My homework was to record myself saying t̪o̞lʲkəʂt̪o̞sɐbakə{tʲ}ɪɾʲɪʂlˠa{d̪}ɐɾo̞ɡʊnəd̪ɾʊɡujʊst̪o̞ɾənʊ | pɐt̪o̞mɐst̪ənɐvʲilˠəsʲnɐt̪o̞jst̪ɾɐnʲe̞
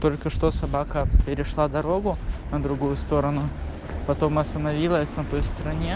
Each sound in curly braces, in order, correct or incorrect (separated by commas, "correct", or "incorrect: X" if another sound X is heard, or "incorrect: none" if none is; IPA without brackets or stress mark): incorrect: pʲ, correct